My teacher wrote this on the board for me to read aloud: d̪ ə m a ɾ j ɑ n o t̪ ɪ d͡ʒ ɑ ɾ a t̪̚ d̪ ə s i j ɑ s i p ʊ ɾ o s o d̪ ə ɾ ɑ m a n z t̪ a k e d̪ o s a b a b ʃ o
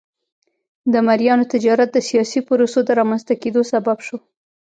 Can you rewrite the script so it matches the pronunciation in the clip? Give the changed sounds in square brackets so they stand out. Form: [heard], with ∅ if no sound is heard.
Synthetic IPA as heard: d̪ ə m a ɾ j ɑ n o t̪ ɪ d͡ʒ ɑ ɾ a t̪̚ d̪ ə s i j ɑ s i p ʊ ɾ o s o d̪ ə ɾ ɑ m a n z t̪ a k e d̪ o s a b a b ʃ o